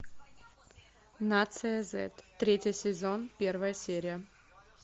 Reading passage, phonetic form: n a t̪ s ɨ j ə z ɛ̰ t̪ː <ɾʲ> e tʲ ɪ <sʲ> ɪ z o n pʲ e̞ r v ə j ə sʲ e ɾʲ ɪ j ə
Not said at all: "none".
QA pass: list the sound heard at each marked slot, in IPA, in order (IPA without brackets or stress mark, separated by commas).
ɾʲ, sʲ